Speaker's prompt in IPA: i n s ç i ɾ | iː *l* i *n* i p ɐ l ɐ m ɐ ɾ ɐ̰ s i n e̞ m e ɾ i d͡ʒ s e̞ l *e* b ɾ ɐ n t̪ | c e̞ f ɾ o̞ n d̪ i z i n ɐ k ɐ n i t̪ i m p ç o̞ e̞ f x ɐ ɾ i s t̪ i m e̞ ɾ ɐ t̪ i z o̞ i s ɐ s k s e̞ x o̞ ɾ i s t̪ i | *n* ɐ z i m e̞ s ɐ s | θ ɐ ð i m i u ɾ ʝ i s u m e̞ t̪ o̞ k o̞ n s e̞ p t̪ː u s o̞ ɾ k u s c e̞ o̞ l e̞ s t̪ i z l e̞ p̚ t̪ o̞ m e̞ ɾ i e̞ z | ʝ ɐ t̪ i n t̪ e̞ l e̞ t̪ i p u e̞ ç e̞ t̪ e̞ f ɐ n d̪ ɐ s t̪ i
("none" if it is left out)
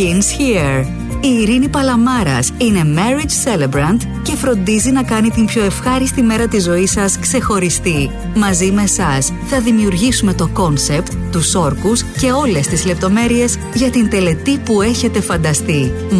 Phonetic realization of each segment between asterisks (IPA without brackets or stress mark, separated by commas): ɾ, n, e, m